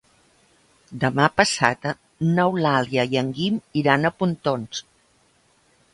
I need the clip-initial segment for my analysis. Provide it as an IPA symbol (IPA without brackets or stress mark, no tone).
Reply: d̪